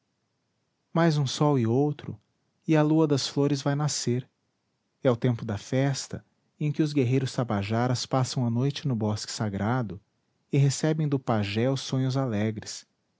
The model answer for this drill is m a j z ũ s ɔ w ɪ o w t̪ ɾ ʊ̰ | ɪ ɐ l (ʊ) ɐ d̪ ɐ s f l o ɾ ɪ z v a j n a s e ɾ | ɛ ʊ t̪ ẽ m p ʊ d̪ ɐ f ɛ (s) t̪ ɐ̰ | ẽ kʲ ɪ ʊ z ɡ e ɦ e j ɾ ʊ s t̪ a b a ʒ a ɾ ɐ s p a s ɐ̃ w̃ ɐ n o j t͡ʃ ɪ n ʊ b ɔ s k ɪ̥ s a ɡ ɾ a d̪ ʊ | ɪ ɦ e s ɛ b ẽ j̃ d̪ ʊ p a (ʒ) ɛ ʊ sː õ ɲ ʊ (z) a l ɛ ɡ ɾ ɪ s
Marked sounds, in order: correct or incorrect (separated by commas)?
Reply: incorrect, correct, correct, correct